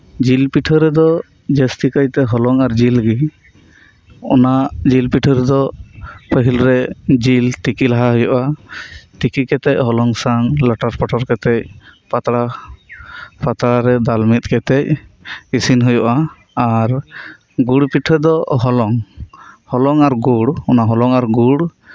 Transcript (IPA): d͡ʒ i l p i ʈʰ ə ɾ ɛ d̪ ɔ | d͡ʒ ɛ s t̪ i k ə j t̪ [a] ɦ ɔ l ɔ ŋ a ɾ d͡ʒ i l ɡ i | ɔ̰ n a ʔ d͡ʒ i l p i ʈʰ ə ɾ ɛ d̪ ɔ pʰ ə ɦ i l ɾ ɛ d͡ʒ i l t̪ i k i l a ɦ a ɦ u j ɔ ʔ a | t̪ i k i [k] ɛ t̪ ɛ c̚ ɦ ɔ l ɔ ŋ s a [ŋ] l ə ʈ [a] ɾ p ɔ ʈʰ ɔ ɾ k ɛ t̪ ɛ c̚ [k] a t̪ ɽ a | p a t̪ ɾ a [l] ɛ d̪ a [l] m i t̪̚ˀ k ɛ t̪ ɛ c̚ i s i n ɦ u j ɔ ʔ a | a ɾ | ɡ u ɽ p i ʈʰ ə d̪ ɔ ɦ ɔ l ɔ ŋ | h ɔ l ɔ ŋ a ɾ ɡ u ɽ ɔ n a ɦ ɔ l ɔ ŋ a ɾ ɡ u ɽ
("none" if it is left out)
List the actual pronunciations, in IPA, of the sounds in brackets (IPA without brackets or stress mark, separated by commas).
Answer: ɛ, k, ŋ, a, p, ɾ, l